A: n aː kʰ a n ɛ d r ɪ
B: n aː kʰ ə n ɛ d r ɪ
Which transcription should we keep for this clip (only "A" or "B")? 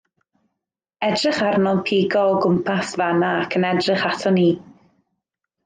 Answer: B